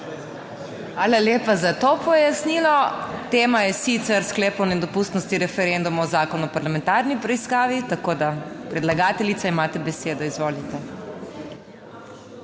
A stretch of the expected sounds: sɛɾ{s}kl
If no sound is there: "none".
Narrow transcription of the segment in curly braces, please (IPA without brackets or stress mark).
s